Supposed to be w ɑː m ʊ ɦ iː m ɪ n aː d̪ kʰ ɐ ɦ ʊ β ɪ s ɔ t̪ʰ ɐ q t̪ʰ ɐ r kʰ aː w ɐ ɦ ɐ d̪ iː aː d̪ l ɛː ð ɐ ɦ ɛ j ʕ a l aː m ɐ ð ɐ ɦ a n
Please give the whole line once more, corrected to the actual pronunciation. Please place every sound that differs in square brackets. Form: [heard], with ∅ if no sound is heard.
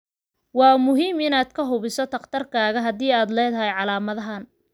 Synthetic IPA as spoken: w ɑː m ʊ ɦ iː m ɪ n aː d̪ kʰ ɐ ɦ ʊ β ɪ s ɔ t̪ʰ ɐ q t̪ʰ ɐ r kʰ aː [ɣ] ɐ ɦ ɐ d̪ iː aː d̪ l ɛː ð ɐ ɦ ɛ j ʕ [ɑ] l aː m ɐ ð ɐ ɦ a n

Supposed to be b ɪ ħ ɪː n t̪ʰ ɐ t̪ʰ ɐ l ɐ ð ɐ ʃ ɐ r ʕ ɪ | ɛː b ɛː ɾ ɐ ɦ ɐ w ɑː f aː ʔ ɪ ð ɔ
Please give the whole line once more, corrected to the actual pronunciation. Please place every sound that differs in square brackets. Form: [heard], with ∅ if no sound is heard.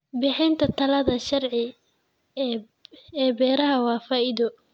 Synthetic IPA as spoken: b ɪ ħ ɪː n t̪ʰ ɐ t̪ʰ ɐ l ɐ ð ɐ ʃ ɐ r ʕ ɪ | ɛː b ɛː ɾ ɐ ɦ ɐ w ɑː f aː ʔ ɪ ð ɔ

